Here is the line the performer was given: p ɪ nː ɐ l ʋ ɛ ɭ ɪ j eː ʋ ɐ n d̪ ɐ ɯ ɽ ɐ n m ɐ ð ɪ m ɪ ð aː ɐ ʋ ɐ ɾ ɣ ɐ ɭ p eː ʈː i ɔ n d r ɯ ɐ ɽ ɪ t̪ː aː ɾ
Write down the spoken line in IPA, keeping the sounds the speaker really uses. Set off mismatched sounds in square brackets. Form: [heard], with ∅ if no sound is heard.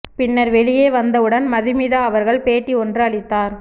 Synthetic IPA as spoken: p ɪ nː ɐ [ɾ] ʋ ɛ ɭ ɪ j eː ʋ ɐ n d̪ ɐ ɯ ɽ ɐ n m ɐ ð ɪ m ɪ ð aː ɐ ʋ ɐ ɾ ɣ ɐ ɭ p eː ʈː i ɔ n d r ɯ ɐ [ɭ] ɪ t̪ː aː ɾ